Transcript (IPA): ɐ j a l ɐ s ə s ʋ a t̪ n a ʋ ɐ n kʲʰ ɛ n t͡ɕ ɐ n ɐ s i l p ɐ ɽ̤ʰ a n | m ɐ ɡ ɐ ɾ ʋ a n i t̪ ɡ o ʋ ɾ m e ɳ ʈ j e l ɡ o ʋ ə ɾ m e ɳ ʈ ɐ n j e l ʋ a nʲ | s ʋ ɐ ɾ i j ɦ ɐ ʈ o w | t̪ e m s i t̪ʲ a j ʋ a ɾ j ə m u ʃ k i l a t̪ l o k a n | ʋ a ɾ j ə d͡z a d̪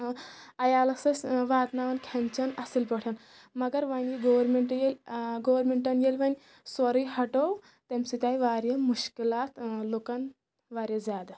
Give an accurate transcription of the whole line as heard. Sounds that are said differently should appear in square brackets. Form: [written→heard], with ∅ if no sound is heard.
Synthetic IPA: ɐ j a l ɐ s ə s ʋ a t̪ n a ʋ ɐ n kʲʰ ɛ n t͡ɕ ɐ n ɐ s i l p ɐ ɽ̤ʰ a n | m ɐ ɡ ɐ ɾ ʋ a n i [t̪→∅] ɡ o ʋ ɾ m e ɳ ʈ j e l ɡ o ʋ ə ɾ m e ɳ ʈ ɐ n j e l ʋ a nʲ | s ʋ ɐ ɾ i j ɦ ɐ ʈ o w | t̪ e m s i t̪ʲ a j ʋ a ɾ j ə m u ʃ k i l a t̪ l o k a n | ʋ a ɾ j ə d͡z a d̪